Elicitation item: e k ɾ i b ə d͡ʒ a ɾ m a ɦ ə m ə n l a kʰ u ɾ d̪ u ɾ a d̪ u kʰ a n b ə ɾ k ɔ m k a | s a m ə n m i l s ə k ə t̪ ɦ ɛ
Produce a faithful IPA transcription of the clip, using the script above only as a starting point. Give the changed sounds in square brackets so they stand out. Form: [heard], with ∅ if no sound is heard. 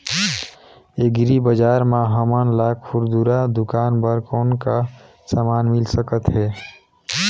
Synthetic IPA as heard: e [ɡ] ɾ i b ə d͡ʒ a ɾ m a ɦ ə m ə n l a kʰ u ɾ d̪ u ɾ a d̪ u [k] a n b ə ɾ k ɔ [n] k a | s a m [a] n m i l s ə k ə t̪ ɦ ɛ